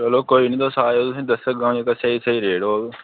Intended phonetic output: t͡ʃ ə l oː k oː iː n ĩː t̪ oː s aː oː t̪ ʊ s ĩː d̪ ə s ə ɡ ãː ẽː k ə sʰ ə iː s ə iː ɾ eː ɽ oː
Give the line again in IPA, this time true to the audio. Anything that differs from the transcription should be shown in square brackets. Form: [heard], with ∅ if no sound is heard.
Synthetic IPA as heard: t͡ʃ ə l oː k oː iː n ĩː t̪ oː s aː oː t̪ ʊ s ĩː d̪ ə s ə ɡ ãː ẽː k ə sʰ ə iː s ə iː ɾ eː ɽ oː